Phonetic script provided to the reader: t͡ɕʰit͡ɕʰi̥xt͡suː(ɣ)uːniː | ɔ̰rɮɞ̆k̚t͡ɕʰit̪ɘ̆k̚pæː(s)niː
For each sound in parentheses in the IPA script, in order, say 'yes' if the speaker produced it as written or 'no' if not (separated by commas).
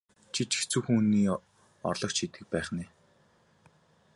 no, no